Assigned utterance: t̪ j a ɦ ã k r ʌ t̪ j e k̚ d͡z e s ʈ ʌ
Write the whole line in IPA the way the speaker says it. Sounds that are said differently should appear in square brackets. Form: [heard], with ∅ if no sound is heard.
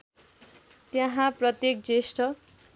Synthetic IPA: t̪ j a ɦ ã [p] r ʌ t̪ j e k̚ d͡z e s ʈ ʌ